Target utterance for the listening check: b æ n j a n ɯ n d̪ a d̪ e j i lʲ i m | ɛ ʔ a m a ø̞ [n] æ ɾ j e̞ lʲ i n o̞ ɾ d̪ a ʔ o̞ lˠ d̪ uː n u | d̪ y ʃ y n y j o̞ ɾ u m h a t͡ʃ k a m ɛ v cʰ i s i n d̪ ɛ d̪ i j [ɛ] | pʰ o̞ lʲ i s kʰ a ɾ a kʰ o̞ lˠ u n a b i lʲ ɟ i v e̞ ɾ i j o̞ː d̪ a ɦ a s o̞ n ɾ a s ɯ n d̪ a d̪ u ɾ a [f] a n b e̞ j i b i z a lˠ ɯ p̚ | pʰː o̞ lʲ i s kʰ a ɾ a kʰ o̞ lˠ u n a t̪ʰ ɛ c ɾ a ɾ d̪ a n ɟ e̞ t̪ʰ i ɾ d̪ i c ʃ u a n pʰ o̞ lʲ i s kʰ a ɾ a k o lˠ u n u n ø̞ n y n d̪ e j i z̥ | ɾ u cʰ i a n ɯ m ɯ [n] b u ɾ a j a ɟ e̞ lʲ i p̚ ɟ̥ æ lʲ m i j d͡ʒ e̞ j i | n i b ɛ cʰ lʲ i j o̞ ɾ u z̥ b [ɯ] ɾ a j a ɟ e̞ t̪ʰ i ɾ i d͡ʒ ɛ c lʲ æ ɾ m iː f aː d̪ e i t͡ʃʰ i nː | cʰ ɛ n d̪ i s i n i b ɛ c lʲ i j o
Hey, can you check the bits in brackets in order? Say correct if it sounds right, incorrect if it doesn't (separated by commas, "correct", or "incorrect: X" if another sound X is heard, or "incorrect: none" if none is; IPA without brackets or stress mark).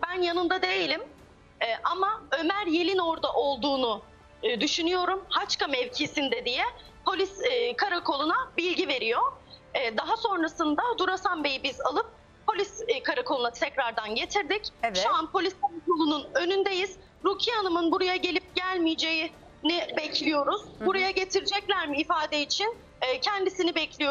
incorrect: m, correct, incorrect: s, correct, incorrect: u